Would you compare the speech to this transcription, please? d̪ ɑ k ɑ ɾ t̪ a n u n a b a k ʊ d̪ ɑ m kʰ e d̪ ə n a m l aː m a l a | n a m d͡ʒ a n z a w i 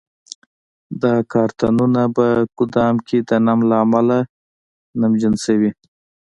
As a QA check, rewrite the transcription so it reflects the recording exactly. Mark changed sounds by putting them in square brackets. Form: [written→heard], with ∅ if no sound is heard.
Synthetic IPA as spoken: d̪ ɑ k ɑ ɾ t̪ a n u n a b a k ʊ d̪ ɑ m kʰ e d̪ ə n a m l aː m a l a | n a m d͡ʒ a n [z→s] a w i